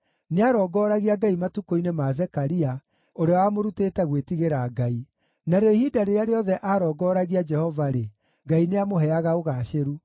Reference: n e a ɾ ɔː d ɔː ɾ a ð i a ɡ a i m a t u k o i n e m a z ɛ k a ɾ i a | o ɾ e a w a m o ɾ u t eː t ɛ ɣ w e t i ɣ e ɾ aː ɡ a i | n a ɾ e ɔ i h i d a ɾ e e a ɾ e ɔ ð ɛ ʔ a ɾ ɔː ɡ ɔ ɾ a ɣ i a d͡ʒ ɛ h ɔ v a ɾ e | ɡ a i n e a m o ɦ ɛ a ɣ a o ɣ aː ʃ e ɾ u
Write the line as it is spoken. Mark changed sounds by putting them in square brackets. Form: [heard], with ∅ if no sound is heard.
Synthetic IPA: n e a ɾ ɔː [ɡ] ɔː ɾ a [ɣ] i a ɡ a i m a t u k o i n e m a z ɛ k a ɾ i a | o ɾ e a w a m o ɾ u t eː t ɛ ɣ w e t i ɣ e ɾ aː ɡ a i | n a ɾ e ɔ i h i d a ɾ e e a ɾ e ɔ ð ɛ ʔ a ɾ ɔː ɡ ɔ ɾ a ɣ i a d͡ʒ ɛ h ɔ v a ɾ e | ɡ a i n e a m o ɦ ɛ a ɣ a o ɣ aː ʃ e ɾ u